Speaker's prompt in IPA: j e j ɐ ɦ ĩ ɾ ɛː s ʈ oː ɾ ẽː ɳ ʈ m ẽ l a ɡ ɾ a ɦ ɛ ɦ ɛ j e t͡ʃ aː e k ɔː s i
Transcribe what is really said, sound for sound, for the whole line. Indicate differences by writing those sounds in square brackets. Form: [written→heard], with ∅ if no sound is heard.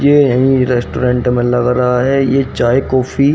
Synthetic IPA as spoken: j e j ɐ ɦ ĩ ɾ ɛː s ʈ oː ɾ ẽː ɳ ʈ m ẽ l [a→ɐ] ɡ ɾ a ɦ [ɛ→a] ɦ ɛ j e t͡ʃ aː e k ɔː [s→f] i